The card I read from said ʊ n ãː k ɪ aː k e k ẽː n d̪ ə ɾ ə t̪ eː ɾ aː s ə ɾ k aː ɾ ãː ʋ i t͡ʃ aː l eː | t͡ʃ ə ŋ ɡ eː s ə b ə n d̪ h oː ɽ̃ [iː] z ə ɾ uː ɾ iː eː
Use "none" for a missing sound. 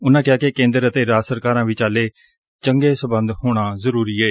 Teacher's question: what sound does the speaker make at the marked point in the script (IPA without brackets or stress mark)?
aː